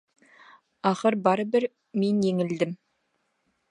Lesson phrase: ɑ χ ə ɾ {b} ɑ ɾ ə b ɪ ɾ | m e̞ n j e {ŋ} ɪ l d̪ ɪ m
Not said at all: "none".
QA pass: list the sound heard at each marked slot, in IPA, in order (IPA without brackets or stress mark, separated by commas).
b, ŋ